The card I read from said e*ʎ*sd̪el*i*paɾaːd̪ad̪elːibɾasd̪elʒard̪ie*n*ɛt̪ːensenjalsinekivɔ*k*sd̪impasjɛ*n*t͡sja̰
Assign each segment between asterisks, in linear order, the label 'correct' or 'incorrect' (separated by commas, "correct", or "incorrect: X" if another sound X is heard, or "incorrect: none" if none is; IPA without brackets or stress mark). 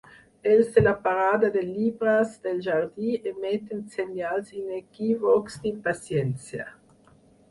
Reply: incorrect: l, incorrect: a, incorrect: m, correct, correct